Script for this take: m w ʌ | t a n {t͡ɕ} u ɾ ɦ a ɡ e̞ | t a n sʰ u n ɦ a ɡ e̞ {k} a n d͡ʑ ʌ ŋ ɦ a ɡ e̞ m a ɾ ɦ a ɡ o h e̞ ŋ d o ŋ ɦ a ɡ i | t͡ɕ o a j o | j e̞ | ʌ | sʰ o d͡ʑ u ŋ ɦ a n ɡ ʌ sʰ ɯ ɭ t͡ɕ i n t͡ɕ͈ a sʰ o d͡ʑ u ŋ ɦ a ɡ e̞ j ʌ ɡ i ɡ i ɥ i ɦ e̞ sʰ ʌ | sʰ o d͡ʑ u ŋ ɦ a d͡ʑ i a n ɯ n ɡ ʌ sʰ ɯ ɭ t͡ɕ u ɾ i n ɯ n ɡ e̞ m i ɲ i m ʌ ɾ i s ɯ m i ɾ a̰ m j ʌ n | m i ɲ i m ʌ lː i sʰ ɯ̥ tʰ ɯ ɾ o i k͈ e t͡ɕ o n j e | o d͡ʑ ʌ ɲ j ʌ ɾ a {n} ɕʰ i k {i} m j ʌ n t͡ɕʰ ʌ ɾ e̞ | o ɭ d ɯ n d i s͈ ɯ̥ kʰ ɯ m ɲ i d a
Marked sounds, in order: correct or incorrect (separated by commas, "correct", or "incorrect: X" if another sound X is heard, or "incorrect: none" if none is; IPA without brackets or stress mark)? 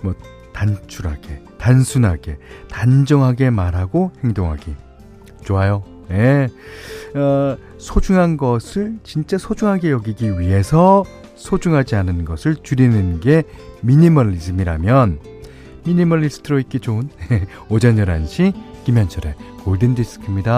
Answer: incorrect: t͡ɕʰ, incorrect: t, correct, correct